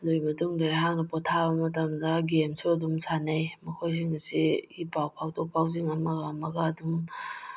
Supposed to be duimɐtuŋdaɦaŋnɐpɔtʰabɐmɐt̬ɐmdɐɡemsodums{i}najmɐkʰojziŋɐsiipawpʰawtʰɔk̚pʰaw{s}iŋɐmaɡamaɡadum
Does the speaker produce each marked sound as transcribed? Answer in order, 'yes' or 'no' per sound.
no, no

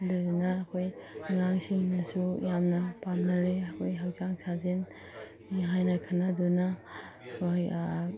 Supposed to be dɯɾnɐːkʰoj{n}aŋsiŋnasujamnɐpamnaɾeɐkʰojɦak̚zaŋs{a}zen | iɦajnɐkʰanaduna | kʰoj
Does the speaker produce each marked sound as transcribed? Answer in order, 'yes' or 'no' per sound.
no, yes

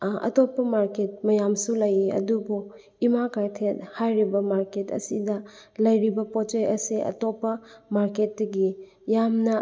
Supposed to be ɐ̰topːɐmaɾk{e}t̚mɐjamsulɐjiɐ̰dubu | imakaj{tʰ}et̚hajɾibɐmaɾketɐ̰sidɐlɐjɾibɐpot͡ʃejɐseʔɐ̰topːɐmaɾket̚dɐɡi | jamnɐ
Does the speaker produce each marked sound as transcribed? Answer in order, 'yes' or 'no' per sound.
yes, yes

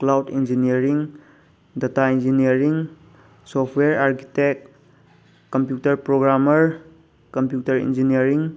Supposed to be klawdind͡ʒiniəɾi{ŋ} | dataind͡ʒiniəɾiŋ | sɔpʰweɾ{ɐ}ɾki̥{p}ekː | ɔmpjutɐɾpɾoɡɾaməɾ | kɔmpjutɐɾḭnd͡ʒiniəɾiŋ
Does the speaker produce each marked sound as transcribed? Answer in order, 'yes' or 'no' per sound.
yes, no, no

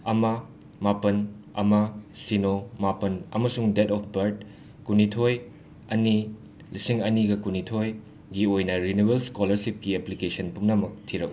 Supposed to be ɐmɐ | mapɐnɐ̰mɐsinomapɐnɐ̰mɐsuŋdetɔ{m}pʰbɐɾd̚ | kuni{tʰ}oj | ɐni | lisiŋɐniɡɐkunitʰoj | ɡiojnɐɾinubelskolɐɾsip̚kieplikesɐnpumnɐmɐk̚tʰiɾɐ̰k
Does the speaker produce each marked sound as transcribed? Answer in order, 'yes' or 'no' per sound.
no, yes

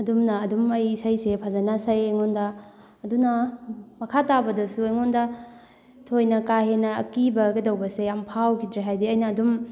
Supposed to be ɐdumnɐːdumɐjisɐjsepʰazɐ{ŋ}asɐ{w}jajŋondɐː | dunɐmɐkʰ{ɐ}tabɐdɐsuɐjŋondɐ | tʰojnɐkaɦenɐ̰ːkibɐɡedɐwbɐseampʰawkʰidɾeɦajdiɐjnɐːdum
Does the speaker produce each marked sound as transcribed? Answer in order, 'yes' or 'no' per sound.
no, no, no

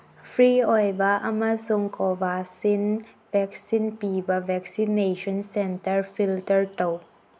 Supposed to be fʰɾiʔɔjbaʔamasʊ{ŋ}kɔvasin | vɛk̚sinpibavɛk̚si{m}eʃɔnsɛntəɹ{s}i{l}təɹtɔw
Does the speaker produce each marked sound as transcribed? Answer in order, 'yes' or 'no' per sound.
yes, no, no, yes

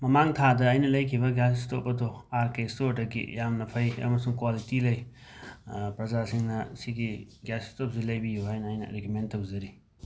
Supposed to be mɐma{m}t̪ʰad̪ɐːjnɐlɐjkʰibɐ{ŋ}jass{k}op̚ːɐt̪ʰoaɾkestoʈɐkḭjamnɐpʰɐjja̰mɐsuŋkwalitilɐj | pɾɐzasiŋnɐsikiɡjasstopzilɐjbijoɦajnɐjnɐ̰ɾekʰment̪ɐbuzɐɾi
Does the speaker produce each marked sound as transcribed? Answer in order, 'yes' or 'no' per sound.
no, no, no

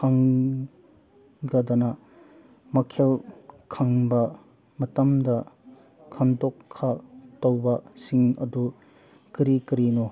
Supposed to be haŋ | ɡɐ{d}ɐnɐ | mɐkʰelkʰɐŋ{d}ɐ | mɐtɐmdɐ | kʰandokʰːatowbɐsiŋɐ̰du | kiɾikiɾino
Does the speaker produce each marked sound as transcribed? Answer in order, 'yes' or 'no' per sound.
yes, no

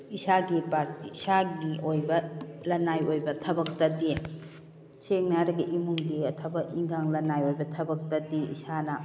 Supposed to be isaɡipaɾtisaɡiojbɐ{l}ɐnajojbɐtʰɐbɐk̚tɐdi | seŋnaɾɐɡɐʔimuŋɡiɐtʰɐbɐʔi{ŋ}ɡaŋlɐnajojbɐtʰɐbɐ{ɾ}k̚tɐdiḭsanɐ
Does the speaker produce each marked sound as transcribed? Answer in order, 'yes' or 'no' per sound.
yes, yes, no

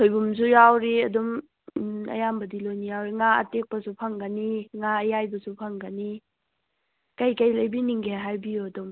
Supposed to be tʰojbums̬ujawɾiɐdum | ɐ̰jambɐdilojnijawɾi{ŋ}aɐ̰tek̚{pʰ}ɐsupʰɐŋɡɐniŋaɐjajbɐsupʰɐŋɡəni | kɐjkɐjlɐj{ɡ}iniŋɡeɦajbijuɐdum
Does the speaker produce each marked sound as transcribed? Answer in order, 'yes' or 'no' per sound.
yes, no, no

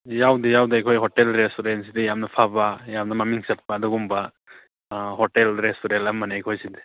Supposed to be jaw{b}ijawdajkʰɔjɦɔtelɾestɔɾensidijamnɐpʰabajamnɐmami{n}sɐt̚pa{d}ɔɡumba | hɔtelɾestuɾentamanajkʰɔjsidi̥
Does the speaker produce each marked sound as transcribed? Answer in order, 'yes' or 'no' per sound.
no, no, yes

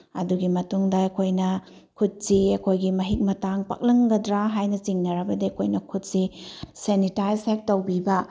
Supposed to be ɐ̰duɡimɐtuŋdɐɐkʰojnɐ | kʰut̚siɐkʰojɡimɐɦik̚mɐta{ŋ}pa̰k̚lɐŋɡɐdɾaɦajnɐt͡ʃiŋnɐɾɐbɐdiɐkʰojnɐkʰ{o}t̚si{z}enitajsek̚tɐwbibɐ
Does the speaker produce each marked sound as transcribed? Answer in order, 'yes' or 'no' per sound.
yes, no, no

